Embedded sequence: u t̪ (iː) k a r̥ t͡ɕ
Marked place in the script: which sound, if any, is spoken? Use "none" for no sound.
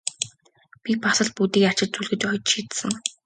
iː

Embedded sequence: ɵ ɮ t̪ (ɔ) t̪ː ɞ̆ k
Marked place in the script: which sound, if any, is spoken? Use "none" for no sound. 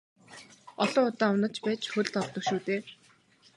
ɔ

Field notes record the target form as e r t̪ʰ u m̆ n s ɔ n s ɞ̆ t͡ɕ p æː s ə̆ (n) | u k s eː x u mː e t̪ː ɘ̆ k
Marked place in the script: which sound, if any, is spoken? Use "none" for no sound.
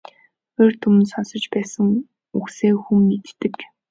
ŋ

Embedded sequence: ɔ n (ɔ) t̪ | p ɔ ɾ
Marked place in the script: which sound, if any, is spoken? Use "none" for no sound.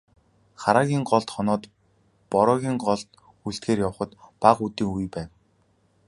ɔː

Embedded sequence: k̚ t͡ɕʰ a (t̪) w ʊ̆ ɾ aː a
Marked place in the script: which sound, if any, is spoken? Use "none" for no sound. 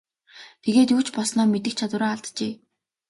t̪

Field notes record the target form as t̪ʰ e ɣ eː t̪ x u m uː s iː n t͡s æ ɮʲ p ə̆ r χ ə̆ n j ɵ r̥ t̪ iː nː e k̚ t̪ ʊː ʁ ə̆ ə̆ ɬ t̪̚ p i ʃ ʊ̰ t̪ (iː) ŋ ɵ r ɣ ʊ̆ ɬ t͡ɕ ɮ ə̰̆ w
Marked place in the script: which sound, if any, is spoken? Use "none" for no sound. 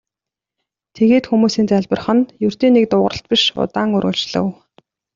aː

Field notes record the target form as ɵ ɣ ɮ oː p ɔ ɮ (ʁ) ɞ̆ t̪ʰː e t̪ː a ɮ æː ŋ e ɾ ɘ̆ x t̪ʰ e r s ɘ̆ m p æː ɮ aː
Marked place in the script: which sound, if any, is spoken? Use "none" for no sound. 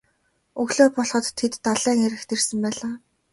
χ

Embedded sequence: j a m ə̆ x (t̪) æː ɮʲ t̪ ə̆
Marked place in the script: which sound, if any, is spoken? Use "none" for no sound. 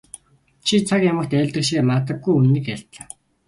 t̪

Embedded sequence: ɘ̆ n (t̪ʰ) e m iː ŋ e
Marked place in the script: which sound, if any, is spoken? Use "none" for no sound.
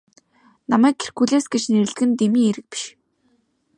t̪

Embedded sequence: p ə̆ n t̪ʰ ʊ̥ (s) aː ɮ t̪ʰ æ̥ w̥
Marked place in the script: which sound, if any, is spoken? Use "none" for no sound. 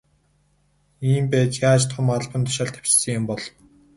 ʃ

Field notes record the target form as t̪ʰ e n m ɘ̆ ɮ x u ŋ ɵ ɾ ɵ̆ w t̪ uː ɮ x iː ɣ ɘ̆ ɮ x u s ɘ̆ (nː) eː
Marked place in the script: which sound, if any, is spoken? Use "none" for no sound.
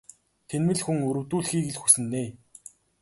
nː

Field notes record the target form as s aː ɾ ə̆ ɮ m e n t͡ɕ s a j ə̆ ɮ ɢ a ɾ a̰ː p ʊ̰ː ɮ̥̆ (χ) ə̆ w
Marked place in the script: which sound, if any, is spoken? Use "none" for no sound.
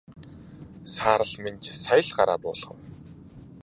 χ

